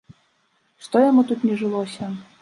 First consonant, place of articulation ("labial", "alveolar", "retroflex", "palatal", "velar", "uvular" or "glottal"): retroflex